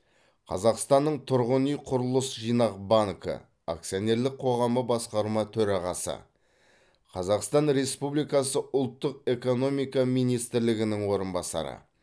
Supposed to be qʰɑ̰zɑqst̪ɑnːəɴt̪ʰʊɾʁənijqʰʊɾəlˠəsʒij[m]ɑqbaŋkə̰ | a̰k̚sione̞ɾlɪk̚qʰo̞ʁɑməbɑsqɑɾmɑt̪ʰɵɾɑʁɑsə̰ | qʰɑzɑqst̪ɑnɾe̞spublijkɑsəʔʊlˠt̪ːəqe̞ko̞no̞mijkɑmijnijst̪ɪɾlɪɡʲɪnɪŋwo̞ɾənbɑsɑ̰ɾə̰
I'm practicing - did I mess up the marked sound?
yes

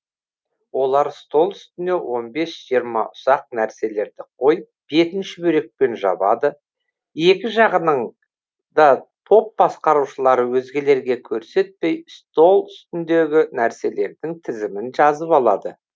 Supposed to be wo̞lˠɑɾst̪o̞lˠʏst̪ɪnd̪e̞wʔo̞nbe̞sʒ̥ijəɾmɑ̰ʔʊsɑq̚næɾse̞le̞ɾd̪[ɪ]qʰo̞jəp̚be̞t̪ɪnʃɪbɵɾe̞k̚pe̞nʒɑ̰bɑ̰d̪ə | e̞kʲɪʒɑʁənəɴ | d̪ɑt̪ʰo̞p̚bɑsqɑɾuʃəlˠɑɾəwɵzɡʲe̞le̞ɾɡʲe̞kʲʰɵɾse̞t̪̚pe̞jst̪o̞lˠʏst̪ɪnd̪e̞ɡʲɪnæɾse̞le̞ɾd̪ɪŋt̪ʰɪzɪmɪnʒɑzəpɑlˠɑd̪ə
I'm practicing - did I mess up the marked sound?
no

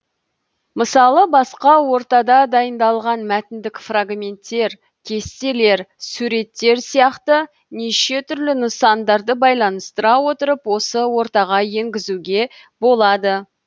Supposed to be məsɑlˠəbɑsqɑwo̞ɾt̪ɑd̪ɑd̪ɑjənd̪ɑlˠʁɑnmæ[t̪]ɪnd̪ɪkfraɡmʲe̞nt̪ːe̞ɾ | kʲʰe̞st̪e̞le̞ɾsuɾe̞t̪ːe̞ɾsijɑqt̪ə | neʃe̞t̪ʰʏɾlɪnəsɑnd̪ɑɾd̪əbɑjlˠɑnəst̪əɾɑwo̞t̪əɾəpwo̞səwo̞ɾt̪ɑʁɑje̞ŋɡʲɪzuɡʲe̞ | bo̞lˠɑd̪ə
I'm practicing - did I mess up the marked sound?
no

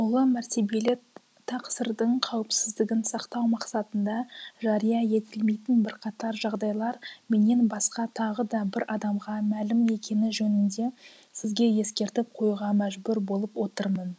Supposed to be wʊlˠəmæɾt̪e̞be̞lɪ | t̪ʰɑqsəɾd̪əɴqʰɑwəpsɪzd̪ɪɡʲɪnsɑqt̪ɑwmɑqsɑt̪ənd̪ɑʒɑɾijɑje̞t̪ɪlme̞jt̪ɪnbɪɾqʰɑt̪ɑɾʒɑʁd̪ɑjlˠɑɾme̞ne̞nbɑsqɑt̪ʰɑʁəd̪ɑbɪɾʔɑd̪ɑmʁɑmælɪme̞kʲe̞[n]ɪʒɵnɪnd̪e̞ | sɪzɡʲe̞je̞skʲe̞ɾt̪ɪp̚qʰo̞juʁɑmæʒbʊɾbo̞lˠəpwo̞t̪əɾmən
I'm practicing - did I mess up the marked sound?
no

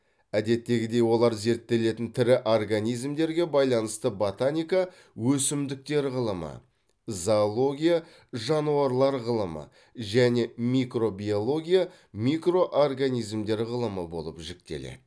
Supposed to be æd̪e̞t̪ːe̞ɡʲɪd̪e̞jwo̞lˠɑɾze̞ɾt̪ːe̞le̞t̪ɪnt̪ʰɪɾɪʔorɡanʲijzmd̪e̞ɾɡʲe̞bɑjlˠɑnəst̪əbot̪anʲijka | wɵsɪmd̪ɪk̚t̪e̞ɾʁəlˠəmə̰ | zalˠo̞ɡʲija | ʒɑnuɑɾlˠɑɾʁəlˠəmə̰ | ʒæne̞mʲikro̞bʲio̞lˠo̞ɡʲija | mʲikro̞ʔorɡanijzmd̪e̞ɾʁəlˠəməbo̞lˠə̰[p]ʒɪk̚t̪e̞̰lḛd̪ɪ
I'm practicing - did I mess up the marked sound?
no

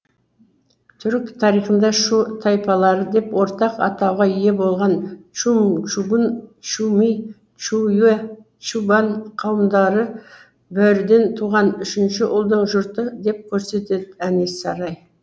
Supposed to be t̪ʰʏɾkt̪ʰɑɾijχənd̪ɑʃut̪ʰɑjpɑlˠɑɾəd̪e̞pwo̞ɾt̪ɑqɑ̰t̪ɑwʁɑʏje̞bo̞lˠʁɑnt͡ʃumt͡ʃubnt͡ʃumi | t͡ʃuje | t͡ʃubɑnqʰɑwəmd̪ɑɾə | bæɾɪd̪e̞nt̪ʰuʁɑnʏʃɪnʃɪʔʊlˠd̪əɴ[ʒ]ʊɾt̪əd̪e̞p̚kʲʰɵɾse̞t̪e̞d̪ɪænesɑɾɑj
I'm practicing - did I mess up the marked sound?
no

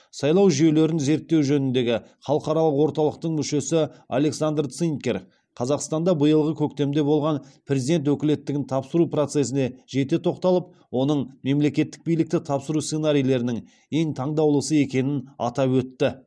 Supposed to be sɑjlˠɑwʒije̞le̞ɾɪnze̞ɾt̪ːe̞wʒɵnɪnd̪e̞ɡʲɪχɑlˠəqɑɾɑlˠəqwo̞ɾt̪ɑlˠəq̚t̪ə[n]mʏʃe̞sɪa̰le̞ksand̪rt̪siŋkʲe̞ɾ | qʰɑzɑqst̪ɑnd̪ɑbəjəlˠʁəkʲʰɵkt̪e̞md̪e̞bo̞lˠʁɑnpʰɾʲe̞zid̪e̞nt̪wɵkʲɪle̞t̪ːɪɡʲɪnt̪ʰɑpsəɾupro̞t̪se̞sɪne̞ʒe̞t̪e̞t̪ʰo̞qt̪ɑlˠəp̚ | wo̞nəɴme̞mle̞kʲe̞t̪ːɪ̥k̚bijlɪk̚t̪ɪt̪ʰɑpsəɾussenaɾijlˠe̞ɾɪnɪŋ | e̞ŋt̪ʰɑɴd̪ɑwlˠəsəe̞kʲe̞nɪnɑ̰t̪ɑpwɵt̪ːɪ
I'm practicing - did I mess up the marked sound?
yes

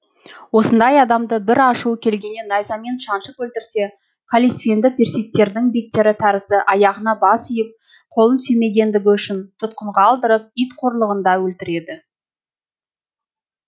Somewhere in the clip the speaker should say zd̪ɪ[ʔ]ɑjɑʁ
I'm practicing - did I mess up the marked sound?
no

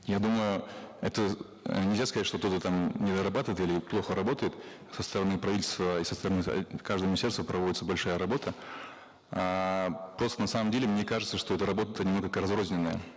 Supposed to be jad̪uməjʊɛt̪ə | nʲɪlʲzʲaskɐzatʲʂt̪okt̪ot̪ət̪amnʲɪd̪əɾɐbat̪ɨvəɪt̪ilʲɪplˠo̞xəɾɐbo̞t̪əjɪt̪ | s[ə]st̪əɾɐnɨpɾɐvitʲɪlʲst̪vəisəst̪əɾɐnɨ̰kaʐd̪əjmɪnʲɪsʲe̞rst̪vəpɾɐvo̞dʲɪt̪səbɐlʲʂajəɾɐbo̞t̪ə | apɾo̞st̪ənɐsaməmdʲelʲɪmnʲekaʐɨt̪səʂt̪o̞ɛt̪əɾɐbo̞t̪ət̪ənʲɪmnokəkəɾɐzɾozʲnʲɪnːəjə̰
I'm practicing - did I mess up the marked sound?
no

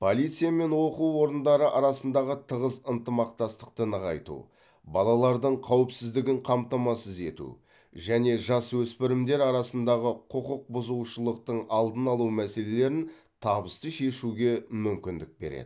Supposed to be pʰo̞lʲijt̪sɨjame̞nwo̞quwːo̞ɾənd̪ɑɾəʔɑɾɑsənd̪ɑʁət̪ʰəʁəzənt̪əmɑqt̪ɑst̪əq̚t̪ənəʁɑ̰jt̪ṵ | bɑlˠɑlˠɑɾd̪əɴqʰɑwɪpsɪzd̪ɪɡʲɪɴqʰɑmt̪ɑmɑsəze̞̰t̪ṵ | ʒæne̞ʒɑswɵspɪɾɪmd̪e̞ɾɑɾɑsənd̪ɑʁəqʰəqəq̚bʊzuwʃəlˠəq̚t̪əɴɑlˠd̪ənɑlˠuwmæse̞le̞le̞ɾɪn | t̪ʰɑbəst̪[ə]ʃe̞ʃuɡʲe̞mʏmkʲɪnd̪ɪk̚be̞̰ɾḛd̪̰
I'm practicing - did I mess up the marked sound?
no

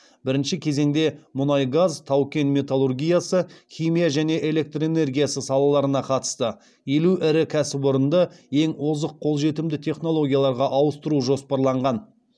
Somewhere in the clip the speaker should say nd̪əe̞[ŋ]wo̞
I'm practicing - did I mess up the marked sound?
no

